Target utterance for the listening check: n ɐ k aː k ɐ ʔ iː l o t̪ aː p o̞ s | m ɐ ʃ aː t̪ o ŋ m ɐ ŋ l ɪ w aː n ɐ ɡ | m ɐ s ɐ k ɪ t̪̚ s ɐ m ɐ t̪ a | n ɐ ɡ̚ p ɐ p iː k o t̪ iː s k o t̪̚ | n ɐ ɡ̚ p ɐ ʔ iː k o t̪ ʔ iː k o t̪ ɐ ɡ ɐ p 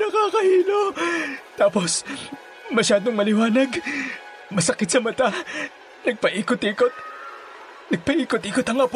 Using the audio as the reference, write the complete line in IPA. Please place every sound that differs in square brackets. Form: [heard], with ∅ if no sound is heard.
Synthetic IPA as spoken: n ɐ k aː k ɐ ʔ iː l o t̪ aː p o̞ s | m ɐ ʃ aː [d̪] o ŋ m ɐ [∅] l ɪ w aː n ɐ ɡ | m ɐ s ɐ k ɪ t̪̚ s ɐ m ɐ t̪ a | n ɐ ɡ̚ p ɐ [ʔ] iː k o t̪ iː [∅] k o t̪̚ | n ɐ ɡ̚ p ɐ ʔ iː k o t̪ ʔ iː k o t̪ ɐ [ŋ] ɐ p